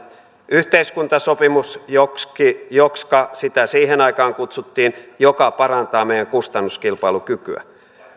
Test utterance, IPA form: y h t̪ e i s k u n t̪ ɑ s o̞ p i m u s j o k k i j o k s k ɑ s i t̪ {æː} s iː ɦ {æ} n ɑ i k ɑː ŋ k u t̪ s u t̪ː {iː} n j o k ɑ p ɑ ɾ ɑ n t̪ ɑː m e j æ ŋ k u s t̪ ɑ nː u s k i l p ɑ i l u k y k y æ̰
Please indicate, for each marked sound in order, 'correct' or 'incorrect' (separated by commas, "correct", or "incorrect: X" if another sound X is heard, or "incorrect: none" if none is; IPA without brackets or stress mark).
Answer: incorrect: æ, incorrect: e, correct